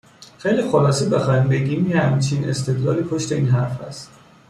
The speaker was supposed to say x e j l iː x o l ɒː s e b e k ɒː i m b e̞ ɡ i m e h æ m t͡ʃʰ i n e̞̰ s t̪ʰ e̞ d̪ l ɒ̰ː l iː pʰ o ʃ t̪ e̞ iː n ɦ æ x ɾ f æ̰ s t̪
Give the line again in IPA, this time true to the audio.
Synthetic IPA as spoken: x e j l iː x o l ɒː s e b e x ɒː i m b e̞ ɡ i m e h æ m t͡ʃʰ i n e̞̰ s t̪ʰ e̞ d̪ l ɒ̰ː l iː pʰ o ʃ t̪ e̞ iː n ɦ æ ɾ f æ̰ s t̪